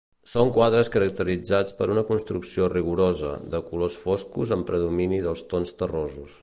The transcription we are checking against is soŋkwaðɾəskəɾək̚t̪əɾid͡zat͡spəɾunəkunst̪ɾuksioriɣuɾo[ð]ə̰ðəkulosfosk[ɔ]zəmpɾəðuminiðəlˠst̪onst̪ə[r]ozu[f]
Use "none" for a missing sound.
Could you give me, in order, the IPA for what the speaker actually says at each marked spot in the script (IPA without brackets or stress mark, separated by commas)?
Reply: z, u, r, s